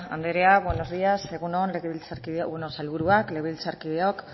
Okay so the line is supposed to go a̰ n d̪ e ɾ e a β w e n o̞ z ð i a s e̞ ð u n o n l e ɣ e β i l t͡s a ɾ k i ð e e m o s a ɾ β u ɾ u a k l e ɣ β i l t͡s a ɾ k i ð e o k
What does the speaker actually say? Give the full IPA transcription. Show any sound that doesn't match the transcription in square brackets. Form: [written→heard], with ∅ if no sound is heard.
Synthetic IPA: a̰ n d̪ e ɾ e a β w e n o̞ z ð i a s e̞ [ð→ɣ] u n o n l e ɣ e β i l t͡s a ɾ k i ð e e [m→n] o s a [ɾ→l] β u ɾ u a k l e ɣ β i l t͡s a ɾ k i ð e o k